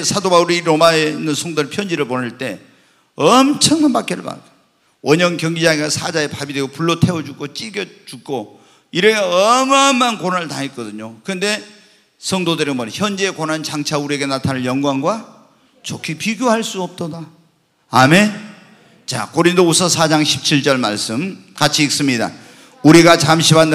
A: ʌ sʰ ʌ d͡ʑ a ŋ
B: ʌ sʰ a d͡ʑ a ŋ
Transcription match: B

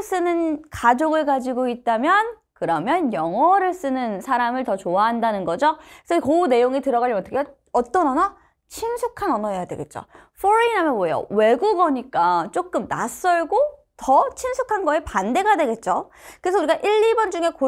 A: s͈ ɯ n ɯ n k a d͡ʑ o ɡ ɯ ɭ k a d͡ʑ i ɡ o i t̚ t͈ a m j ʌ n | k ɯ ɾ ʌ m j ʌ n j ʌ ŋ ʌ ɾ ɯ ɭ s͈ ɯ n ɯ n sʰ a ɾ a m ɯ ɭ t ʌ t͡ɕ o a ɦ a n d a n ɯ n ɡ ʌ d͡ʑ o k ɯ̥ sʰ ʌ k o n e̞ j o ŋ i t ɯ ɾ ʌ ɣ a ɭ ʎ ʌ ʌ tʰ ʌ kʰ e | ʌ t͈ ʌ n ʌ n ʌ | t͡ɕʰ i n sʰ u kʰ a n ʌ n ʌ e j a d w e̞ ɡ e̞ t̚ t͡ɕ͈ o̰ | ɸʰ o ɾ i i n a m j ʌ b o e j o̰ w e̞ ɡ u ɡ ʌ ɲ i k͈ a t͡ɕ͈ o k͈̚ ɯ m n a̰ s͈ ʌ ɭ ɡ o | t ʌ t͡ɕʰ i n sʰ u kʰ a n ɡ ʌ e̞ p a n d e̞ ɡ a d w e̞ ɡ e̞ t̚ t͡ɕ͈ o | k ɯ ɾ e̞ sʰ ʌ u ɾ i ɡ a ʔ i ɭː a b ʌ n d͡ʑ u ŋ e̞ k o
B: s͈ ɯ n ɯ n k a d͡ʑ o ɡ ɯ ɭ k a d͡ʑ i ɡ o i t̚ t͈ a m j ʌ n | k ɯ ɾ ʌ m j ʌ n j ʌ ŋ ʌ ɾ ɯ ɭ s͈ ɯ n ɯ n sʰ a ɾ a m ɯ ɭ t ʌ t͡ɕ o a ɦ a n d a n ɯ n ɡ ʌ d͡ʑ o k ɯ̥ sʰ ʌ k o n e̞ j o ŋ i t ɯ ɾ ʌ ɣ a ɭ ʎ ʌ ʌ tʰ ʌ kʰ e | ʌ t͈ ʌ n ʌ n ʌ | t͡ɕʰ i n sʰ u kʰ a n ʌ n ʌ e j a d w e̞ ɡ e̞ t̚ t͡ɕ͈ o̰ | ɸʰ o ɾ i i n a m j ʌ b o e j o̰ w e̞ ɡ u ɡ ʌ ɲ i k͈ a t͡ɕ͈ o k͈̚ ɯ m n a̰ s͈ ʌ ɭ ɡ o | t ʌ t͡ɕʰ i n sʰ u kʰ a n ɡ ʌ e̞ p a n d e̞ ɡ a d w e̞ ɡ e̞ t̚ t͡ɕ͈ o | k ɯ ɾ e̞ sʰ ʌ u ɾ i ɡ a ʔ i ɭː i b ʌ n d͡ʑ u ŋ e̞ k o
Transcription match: B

